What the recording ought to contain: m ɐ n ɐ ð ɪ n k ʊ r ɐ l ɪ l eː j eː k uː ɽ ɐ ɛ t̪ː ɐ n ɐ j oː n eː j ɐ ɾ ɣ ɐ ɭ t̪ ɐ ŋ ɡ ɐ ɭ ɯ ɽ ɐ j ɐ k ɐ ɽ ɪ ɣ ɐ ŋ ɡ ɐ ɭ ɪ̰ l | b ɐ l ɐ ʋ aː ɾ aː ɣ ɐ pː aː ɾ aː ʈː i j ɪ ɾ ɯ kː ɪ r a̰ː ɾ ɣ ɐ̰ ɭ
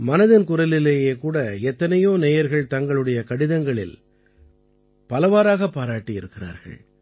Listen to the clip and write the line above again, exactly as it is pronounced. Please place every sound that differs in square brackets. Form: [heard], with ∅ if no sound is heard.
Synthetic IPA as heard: m ɐ n ɐ ð ɪ n k ʊ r ɐ l ɪ l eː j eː k uː ɽ ɐ ɛ t̪ː ɐ n ɐ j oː n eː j ɐ ɾ ɣ ɐ ɭ t̪ ɐ ŋ ɡ ɐ ɭ ɯ ɽ ɐ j ɐ k ɐ ɽ ɪ [ð] ɐ ŋ ɡ ɐ ɭ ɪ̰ l | [p] ɐ l ɐ ʋ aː ɾ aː ɣ ɐ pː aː ɾ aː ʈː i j ɪ ɾ ɯ kː ɪ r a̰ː ɾ ɣ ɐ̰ ɭ

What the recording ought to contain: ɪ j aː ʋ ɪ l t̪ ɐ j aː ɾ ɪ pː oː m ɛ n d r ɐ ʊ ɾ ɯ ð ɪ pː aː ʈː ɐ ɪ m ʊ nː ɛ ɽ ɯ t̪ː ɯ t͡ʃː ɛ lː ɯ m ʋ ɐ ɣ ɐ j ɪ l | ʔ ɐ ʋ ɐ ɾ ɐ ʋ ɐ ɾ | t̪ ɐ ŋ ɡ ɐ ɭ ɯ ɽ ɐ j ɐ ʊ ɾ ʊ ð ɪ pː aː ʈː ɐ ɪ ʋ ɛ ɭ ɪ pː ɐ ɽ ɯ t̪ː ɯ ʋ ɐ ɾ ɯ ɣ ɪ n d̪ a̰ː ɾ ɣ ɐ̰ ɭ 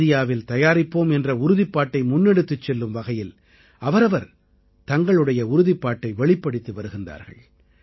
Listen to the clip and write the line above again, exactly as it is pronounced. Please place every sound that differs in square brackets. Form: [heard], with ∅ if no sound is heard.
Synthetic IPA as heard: ɪ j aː ʋ ɪ l t̪ ɐ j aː ɾ ɪ pː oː m ɛ n d r ɐ ʊ ɾ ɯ ð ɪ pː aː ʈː ɐ ɪ m ʊ nː ɛ ɽ ɯ t̪ː ɯ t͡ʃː ɛ lː ɯ m ʋ ɐ ɣ ɐ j ɪ l | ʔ ɐ ʋ ɐ ɾ ɐ ʋ ɐ ɾ | t̪ ɐ ŋ ɡ ɐ ɭ ɯ ɽ ɐ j ɐ ʊ ɾ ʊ ð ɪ pː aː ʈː ɐ ɪ ʋ ɛ ɭ ɪ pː ɐ ɽ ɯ t̪ː ɯ ʋ ɐ ɾ ɯ ɣ ɪ n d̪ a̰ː ɾ ɣ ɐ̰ ɭ

